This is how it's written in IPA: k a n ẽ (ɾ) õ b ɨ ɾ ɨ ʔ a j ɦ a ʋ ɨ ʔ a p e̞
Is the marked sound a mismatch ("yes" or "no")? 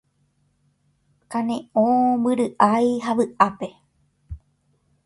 yes